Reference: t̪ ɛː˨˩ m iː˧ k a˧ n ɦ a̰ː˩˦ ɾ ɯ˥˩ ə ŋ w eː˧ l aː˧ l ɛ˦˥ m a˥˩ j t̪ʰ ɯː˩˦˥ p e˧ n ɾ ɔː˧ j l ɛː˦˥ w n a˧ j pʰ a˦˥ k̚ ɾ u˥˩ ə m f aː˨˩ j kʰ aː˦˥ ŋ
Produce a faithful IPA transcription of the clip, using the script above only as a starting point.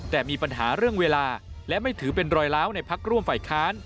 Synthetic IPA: t̪ ɛː˨˩ m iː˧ p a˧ n ɦ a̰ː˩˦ ɾ ɯ˥˩ ə ŋ w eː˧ l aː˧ l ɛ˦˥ m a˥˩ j t̪ʰ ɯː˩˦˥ p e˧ n ɾ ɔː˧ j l aː˦˥ w n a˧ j pʰ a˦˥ k̚ ɾ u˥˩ ə m f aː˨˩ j kʰ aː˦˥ n